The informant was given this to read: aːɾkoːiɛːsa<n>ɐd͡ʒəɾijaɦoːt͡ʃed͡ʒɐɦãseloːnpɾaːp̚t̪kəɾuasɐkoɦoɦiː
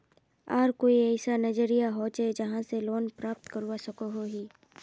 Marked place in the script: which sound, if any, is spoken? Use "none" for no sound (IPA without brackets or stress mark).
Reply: n